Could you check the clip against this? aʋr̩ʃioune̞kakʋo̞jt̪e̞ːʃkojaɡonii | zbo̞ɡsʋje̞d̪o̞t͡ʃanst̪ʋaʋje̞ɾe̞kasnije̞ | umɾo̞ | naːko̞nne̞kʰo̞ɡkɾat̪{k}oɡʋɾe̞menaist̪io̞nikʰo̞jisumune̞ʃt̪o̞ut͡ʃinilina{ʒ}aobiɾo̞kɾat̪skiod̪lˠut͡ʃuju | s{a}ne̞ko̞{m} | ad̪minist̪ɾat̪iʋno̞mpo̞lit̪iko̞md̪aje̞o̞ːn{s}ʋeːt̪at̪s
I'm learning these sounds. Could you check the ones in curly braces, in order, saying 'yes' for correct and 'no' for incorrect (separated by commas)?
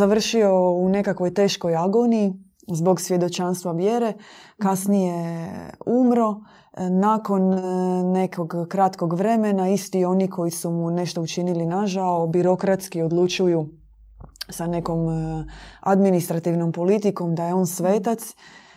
yes, yes, yes, yes, yes